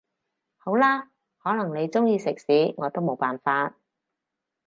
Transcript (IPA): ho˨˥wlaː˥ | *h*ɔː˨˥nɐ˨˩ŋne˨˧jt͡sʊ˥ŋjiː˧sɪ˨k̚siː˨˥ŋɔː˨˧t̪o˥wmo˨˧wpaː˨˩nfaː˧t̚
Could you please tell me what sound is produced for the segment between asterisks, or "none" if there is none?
h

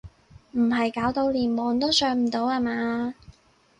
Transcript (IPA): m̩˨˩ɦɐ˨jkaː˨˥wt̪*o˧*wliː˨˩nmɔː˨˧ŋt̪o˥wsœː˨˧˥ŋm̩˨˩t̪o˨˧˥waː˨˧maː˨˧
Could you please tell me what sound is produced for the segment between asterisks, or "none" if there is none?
o˧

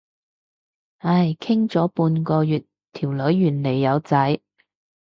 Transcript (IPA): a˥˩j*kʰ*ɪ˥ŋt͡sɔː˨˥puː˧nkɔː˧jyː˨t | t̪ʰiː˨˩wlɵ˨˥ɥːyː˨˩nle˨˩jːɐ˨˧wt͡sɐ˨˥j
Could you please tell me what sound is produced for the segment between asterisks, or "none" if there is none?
kʰ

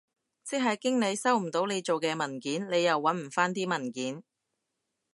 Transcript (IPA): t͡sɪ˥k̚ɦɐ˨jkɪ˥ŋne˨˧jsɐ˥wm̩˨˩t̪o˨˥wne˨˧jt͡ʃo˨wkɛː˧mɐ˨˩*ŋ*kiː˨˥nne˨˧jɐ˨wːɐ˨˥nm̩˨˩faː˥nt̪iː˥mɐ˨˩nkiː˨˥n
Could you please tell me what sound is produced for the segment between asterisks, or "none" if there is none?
n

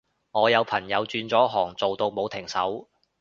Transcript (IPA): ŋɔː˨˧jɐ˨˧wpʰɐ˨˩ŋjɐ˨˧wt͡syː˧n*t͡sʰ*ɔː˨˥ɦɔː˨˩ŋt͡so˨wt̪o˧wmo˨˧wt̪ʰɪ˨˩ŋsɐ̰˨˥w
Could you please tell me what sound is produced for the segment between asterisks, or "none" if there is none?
t͡s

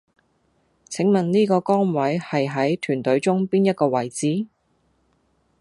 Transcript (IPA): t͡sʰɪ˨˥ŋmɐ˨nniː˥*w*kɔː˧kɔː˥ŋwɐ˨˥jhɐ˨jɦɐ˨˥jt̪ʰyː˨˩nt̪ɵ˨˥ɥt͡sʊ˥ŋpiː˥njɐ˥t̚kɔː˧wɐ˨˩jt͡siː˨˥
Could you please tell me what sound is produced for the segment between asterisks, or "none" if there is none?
none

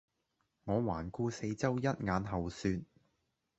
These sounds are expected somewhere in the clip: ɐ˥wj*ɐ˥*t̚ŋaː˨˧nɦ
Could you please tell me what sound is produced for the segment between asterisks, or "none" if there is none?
ɐ˥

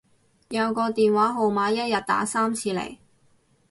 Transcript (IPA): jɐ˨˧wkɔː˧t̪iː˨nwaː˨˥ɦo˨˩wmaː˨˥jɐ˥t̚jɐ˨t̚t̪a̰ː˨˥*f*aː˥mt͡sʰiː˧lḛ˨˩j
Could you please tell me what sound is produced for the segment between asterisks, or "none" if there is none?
s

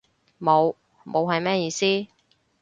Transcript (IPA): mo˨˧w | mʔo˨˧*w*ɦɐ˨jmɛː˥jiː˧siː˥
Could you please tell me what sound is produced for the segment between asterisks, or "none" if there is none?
w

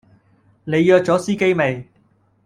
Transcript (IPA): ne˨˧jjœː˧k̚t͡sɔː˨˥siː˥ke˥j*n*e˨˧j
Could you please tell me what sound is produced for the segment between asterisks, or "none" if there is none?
m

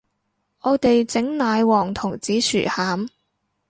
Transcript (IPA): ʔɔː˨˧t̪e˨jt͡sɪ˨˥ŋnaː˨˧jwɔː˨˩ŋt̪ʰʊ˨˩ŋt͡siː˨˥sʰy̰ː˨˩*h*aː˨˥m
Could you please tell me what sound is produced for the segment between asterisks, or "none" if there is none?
h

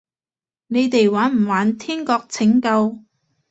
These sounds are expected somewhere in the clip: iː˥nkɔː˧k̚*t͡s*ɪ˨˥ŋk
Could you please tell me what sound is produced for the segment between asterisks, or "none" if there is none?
t͡sʰ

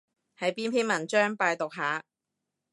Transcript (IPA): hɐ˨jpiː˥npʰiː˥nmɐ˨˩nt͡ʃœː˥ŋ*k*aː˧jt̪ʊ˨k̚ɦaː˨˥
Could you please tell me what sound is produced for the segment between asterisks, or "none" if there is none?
p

